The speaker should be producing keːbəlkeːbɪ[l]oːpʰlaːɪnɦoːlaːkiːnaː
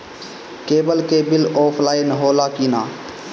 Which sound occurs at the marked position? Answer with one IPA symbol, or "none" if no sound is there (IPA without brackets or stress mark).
l